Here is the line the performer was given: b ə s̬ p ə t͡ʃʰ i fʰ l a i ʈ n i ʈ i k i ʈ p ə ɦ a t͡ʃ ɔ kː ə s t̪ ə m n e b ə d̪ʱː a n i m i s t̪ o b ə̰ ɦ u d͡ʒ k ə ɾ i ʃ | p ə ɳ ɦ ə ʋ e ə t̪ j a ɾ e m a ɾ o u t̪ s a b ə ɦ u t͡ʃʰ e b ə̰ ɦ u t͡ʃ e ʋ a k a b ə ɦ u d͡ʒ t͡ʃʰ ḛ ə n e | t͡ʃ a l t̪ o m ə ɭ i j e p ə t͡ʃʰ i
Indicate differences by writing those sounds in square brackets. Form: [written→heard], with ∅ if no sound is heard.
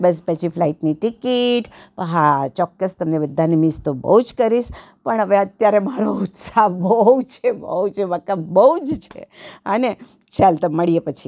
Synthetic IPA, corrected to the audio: b ə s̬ p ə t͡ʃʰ i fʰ l a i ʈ n i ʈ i k i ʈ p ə ɦ a t͡ʃ ɔ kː ə s t̪ ə m n e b ə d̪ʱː a n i m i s t̪ o b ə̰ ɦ u d͡ʒ k ə ɾ i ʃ | p ə ɳ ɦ ə ʋ e ə t̪ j a ɾ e m a ɾ o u t̪ s a b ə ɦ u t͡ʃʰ e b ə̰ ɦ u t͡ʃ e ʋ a k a b ə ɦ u d͡ʒ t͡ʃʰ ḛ ə n e | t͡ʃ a l t̪ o m ə ɭ i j e p ə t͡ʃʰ i